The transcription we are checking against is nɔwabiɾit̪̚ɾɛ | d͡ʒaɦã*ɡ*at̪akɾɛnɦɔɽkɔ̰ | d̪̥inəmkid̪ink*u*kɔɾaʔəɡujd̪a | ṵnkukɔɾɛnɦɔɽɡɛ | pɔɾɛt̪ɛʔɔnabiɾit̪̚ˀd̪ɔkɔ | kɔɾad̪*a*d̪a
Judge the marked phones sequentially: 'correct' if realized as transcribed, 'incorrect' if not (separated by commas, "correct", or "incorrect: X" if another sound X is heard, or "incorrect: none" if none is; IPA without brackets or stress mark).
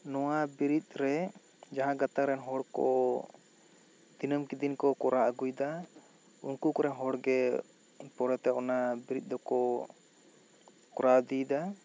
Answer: correct, incorrect: ɔ, incorrect: i